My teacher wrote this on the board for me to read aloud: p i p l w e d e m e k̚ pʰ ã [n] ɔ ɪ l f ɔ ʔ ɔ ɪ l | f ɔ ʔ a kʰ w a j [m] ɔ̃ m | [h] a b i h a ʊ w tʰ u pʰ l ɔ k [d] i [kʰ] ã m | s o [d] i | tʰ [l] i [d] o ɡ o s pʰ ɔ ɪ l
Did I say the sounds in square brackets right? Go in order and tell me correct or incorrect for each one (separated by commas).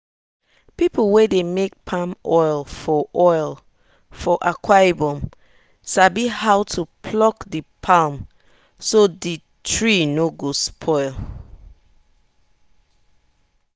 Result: incorrect, incorrect, incorrect, correct, incorrect, correct, incorrect, incorrect